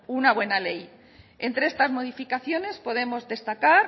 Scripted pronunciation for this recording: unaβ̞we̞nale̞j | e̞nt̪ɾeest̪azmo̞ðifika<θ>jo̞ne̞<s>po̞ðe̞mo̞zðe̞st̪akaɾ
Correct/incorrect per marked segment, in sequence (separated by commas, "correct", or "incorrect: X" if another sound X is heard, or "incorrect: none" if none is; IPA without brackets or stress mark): correct, correct